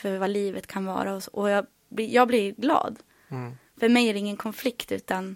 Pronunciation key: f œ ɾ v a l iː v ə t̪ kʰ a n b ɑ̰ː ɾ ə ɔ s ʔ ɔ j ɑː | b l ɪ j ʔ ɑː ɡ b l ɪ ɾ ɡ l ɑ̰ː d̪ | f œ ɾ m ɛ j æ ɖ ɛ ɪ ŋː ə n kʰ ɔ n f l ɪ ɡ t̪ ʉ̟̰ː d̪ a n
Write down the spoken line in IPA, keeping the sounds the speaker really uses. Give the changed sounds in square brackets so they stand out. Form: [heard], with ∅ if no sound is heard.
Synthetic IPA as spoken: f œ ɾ v a l iː v ə t̪ kʰ a n [v] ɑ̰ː ɾ [a] ɔ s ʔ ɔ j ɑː | b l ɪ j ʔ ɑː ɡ b l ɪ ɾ ɡ l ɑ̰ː d̪ | f œ ɾ m ɛ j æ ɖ ɛ ɪ ŋː ə n kʰ ɔ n f l ɪ [k] t̪ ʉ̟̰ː [t̪] a n